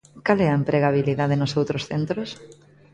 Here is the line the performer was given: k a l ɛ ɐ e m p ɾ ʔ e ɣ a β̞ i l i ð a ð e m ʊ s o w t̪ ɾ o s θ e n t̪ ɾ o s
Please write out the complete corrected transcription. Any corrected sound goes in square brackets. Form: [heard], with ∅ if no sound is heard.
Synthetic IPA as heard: k a l ɛ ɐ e m p ɾ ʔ e ɣ a β̞ i l i ð a ð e [n] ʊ s o w t̪ ɾ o s θ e n t̪ ɾ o s